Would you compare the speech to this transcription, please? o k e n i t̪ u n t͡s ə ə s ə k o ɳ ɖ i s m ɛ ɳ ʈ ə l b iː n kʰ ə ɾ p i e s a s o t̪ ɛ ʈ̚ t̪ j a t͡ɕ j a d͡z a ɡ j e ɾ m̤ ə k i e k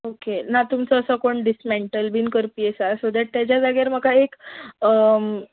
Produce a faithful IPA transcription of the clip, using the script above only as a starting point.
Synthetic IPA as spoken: o k e n a t̪ u m t͡s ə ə s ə k o ɳ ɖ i s m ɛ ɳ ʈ ə l b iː n k ə ɾ p i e s a s o d̪ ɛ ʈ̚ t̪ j a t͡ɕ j a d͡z a ɡ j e ɾ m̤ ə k a e k